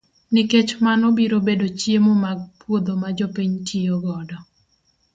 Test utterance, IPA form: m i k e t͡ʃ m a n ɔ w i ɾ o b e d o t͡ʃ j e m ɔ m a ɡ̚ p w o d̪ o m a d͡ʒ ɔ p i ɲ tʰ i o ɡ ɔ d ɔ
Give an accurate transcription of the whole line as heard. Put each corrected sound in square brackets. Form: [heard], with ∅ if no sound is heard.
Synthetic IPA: [n] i k e t͡ʃ m a n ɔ [b] i ɾ o b e d o t͡ʃ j e m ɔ m a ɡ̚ p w o d̪ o m a d͡ʒ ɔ p i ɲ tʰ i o ɡ ɔ d ɔ